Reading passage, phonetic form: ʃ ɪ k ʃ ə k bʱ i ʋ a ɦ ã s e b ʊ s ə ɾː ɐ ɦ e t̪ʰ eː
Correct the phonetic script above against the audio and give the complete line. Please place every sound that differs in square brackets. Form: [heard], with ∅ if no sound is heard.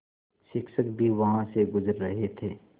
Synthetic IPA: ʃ ɪ k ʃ ə k bʱ i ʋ [ɐ] ɦ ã s e [ɡ] ʊ [z] ə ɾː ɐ ɦ e t̪ʰ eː